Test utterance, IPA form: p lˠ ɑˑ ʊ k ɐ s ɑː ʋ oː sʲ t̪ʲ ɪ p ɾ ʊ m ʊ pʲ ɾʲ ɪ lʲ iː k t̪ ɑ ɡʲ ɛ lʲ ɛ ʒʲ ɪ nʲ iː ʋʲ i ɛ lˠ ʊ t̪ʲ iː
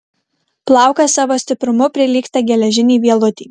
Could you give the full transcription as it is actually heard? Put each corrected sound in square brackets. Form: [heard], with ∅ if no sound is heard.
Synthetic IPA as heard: p lˠ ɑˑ ʊ k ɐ s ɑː ʋ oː sʲ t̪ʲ ɪ p ɾ ʊ m ʊ pʲ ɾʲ ɪ lʲ iː k t̪ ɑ ɡʲ ɛ lʲ ɛ ʒʲ ɪ nʲ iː ʋʲ i ɛ lˠ ʊ t̪ʲ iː